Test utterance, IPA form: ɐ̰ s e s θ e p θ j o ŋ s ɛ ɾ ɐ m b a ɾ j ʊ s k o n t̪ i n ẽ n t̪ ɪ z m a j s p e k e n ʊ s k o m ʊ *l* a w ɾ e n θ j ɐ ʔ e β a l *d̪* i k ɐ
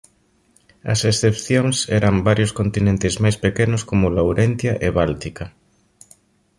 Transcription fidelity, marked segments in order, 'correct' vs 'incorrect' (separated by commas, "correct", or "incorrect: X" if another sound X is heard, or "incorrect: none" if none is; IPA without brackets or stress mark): correct, incorrect: t̪